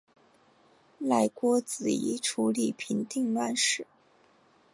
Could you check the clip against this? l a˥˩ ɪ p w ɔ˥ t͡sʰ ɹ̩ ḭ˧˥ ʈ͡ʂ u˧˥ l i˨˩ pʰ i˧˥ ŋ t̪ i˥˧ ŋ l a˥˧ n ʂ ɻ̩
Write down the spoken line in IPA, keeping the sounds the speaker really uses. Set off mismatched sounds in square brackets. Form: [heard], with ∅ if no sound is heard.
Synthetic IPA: l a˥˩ ɪ [k] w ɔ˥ [t͡s] ɹ̩ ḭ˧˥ [ʈ͡ʂʰ] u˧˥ l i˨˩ pʰ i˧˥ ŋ t̪ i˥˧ ŋ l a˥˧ n ʂ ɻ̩

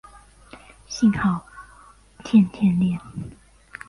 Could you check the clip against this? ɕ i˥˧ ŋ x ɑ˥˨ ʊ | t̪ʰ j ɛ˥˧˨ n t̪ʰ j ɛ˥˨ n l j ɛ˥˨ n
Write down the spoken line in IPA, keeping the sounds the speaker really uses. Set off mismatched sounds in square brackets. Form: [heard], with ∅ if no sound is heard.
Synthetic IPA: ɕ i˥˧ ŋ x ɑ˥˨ ʊ | t̪ʰ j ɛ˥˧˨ n t̪ʰ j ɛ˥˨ n l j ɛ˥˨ n

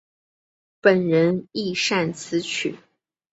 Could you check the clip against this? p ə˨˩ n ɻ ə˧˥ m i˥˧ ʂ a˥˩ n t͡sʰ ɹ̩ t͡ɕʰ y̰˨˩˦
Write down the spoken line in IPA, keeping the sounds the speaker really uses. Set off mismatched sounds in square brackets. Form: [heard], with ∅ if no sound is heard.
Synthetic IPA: p ə˨˩ n ɻ ə˧˥ [n] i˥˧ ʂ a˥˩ n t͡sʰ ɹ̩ t͡ɕʰ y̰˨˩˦

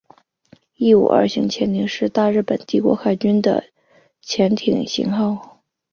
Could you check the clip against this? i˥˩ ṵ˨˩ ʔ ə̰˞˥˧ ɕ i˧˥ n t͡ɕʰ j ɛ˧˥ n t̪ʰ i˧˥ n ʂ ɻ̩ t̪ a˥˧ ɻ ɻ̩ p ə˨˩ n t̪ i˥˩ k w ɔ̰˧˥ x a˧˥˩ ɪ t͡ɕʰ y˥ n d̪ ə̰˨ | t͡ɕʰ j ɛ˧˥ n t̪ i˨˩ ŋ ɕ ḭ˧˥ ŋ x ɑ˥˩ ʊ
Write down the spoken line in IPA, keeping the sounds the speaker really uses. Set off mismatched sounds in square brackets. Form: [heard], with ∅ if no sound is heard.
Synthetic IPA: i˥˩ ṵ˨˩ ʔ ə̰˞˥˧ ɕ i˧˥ [ŋ] t͡ɕʰ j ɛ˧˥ n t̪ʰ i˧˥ [ŋ] ʂ ɻ̩ t̪ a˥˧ ɻ ɻ̩ p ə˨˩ n t̪ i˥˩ k w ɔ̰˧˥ x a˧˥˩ ɪ [t͡ɕ] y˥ n d̪ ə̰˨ | t͡ɕʰ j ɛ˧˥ n [t̪ʰ] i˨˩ ŋ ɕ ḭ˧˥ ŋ x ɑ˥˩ ʊ

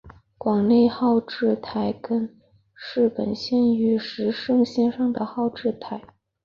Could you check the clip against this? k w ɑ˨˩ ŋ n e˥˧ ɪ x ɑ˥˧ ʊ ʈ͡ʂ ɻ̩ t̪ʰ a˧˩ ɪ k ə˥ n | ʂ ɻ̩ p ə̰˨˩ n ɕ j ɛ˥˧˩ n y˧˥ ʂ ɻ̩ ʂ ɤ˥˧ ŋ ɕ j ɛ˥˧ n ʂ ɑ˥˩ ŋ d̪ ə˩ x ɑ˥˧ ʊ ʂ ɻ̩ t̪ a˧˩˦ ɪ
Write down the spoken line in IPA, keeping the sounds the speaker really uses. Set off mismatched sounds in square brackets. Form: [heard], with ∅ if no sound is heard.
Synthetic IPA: k w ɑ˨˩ ŋ n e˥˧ ɪ x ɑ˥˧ ʊ ʈ͡ʂ ɻ̩ t̪ʰ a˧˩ ɪ k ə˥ n | ʂ ɻ̩ p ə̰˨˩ n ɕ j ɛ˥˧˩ n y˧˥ ʂ ɻ̩ ʂ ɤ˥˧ ŋ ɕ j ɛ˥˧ n ʂ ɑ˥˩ ŋ d̪ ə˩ x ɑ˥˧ ʊ [ʈ͡ʂ] ɻ̩ [t̪ʰ] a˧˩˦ ɪ

